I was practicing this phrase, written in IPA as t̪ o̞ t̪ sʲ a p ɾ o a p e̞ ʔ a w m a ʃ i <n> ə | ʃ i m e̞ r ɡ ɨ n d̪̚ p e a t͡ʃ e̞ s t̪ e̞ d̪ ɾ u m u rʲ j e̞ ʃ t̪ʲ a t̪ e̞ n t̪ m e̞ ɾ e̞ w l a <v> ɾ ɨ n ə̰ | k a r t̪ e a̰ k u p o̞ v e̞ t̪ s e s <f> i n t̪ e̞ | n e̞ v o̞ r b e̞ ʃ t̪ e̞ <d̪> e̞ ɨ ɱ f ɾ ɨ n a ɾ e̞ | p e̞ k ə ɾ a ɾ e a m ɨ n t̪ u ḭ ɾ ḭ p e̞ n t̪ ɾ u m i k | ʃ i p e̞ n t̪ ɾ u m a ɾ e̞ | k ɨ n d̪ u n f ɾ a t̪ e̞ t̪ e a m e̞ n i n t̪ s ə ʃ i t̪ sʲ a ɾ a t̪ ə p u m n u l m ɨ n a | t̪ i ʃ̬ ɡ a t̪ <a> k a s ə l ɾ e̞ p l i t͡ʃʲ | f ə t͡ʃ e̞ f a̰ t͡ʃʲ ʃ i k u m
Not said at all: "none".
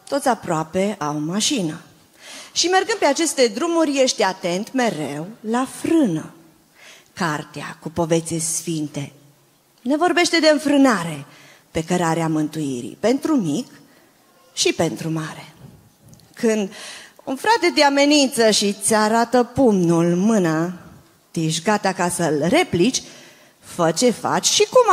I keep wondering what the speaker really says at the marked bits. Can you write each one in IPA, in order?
n, f, f, d̪, a

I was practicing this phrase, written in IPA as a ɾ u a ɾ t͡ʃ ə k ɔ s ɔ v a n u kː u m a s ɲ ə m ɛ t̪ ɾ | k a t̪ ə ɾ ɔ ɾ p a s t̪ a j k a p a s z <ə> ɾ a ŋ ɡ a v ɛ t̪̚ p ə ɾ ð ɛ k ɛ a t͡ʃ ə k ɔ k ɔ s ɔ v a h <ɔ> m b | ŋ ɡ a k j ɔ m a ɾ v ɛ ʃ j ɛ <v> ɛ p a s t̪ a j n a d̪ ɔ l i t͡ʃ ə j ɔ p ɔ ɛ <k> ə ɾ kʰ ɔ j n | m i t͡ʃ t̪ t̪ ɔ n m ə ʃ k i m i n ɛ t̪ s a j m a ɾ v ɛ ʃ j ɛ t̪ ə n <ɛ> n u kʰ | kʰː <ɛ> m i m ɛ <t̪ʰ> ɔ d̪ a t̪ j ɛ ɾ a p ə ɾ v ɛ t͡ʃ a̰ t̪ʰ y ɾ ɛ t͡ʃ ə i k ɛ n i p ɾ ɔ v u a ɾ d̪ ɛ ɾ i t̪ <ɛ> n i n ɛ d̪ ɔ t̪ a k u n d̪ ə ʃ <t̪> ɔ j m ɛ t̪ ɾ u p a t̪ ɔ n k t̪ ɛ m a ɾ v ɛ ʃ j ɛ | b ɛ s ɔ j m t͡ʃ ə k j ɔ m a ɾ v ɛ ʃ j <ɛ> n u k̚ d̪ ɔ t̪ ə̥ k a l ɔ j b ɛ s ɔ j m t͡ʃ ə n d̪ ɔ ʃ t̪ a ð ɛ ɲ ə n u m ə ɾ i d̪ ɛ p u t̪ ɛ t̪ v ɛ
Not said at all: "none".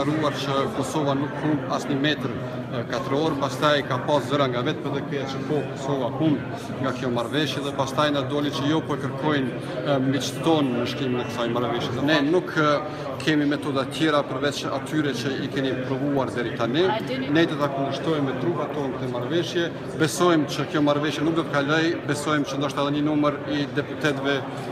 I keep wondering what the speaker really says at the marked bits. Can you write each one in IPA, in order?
ə, u, ð, k, ɛ, ɛ, t̪, a, t̪, ɛ

